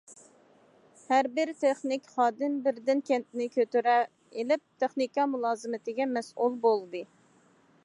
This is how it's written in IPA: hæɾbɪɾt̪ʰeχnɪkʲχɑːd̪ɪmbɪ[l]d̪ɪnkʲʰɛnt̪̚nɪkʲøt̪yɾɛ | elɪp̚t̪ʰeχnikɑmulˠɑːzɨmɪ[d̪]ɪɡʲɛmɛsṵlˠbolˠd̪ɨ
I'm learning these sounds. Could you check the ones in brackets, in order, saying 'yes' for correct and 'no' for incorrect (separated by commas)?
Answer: no, no